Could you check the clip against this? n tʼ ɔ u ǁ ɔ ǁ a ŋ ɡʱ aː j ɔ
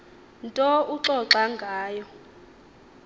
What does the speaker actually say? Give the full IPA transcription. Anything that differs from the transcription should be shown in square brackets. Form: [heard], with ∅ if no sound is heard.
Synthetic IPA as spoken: n tʼ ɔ u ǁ ɔ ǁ a ŋ ɡʱ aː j ɔ